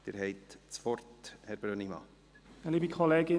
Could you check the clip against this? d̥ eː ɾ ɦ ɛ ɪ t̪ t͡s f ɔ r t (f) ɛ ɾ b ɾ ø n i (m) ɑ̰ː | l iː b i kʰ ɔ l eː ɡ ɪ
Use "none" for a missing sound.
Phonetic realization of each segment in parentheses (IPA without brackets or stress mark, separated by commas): h, m